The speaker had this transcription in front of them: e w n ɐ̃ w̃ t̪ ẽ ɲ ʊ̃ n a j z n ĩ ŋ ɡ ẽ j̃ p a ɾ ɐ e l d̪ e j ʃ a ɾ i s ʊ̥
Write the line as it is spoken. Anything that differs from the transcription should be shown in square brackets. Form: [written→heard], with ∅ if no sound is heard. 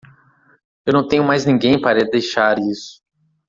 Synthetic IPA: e w n ɐ̃ w̃ t̪ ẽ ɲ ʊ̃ [n→m] a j z n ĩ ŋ ɡ ẽ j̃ p a ɾ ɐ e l d̪ e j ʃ a ɾ i s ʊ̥